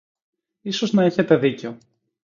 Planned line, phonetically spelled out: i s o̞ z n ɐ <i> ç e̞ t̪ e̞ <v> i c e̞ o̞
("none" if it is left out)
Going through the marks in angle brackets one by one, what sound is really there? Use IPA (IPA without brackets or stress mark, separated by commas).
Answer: e, ð